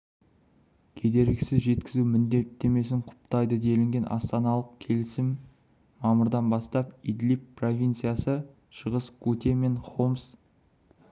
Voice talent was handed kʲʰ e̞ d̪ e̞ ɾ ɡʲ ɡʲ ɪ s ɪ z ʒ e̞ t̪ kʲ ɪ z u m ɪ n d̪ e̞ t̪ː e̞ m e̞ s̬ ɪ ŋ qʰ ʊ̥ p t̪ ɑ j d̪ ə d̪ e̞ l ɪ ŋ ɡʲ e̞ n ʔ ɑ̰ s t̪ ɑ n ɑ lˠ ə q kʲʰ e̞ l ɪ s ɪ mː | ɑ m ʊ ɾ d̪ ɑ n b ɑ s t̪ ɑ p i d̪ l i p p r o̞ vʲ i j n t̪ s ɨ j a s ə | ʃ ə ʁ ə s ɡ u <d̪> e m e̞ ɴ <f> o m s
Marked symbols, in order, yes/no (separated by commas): no, no